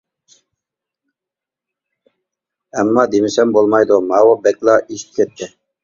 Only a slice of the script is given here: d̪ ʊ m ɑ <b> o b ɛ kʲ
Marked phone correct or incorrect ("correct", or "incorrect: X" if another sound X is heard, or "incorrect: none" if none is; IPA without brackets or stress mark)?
incorrect: w